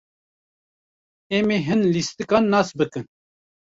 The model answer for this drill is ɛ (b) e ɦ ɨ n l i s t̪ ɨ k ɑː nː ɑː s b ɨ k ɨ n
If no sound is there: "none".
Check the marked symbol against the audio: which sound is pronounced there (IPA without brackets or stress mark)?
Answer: m